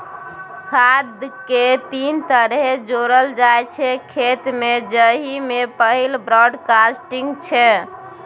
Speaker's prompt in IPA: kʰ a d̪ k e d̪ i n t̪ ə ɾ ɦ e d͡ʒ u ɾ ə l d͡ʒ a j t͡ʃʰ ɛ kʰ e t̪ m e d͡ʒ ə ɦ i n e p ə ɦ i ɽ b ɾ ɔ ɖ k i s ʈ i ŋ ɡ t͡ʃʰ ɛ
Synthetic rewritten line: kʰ a d̪ k e t̪ i n t̪ ə ɾ ɦ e d͡ʒ o ɾ ə l d͡ʒ a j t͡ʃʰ ɛ kʰ e t̪ m e d͡ʒ ə ɦ i m e p ə ɦ i l b ɾ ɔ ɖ k a s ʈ i ŋ ɡ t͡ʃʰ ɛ